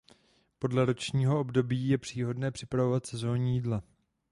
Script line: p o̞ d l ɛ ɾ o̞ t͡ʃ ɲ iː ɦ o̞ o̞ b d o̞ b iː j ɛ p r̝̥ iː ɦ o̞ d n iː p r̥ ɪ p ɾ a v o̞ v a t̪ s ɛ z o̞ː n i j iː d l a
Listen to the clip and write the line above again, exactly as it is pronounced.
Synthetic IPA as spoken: p o̞ d l ɛ ɾ o̞ t͡ʃ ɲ iː ɦ o̞ o̞ b d o̞ b iː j ɛ p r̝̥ iː ɦ o̞ d n ɛː p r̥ ɪ p ɾ a v o̞ v a t̪ s ɛ z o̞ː ɲ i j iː d l a